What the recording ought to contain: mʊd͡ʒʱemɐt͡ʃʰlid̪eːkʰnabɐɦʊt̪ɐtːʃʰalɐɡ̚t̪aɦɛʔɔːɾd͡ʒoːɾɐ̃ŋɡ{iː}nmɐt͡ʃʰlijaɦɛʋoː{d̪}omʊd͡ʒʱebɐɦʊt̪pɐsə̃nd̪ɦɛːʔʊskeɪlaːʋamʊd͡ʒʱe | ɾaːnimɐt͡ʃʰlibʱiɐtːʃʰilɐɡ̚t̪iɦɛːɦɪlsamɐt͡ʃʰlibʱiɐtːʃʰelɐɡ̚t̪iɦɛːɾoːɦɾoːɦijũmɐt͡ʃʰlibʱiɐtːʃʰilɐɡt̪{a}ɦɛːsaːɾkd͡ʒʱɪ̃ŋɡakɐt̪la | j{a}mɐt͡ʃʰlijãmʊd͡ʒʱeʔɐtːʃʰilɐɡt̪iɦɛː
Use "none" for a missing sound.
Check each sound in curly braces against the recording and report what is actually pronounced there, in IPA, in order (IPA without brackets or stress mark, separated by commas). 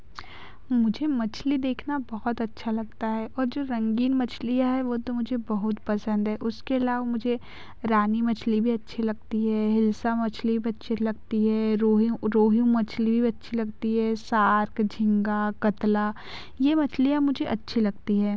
iː, t̪, i, e